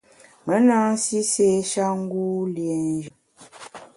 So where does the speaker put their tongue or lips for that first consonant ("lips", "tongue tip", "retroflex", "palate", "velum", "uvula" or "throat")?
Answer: lips